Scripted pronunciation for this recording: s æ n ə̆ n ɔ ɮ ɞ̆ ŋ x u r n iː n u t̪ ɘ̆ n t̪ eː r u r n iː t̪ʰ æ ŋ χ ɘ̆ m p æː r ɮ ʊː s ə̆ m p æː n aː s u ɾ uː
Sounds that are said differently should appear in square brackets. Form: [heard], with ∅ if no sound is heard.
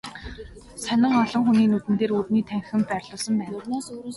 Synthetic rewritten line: s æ n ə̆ [ŋ] ɔ ɮ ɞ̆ ŋ x u [∅] n iː n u t̪ ɘ̆ n t̪ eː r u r n iː t̪ʰ æ ŋ [x] ɘ̆ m p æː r ɮ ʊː s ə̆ m p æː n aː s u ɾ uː